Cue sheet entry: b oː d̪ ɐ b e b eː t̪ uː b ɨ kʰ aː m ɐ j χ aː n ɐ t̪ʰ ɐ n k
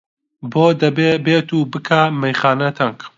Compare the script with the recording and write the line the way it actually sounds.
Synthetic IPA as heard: b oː d̪ ɐ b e b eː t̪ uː b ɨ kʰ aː m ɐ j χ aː n ɐ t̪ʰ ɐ ŋ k